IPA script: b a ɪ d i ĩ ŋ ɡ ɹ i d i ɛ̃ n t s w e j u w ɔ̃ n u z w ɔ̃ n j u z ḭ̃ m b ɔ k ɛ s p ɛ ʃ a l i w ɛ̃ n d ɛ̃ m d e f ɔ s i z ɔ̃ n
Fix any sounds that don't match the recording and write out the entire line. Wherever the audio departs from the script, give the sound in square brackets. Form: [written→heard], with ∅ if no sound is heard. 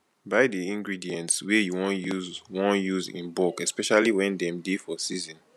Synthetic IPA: b a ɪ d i ĩ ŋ ɡ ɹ i d i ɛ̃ n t s w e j u w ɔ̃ n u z w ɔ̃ n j u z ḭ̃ [m→n] b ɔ k ɛ s p ɛ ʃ a l i w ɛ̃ n d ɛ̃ m d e f ɔ s i z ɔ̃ n